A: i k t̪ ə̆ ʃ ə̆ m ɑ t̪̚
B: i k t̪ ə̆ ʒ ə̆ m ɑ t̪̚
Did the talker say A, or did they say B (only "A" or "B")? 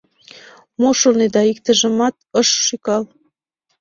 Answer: B